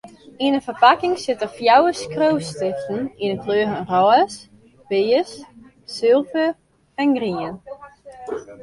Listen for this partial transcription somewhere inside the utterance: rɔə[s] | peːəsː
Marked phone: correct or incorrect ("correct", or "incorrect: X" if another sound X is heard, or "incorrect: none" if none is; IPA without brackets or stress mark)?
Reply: correct